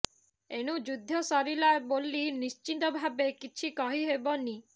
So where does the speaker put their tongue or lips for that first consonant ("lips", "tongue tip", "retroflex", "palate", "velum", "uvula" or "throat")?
retroflex